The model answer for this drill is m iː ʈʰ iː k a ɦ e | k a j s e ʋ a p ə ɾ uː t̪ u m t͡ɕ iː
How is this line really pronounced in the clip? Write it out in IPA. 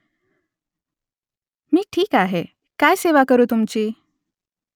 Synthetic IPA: m iː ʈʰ iː k a ɦ e | k a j s e ʋ a k ə ɾ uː t̪ u m t͡ɕ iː